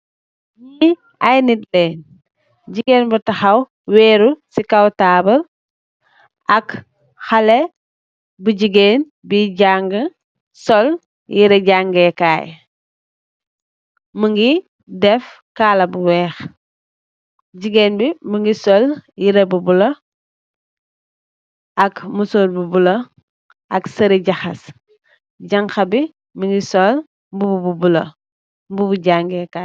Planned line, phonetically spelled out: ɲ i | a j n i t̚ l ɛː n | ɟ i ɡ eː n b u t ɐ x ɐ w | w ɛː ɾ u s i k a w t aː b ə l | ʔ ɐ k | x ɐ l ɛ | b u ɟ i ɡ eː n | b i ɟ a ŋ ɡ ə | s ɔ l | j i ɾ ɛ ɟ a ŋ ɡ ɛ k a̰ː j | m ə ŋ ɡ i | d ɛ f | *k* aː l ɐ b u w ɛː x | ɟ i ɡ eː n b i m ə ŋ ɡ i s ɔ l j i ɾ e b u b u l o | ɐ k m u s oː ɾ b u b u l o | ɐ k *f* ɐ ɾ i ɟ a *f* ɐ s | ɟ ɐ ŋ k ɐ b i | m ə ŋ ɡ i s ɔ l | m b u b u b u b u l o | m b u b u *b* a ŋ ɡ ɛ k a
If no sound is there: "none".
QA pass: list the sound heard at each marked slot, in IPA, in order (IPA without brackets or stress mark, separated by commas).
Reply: k, s, x, ɟ